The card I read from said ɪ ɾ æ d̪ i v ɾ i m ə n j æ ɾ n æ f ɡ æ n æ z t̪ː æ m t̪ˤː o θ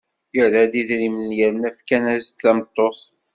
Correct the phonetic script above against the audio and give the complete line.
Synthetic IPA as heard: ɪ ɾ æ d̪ i ð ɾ i m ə n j æ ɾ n æ f k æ n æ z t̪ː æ m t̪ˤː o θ